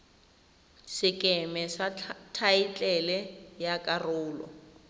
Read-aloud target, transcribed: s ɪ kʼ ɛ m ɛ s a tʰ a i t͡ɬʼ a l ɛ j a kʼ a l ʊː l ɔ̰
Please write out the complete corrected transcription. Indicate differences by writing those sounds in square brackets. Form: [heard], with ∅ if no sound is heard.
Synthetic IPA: s ɪ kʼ ɛ m ɛ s a tʰ a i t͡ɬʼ [ɛ] l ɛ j a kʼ a [r] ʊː l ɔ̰